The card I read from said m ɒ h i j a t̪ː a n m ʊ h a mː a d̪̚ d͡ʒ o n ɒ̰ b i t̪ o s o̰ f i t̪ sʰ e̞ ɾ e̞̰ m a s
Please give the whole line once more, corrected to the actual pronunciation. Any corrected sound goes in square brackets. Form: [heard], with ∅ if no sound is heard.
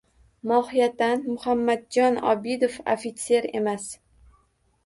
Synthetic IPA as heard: m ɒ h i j a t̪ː a n m ʊ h a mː a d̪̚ d͡ʒ [ɒ] n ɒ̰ b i [d̪] o [f] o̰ f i t̪ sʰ e̞ ɾ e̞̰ m a s